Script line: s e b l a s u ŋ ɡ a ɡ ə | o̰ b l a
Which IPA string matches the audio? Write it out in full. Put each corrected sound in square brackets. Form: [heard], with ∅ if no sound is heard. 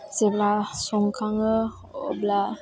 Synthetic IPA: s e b l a s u ŋ [k] a [ŋ] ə | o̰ b l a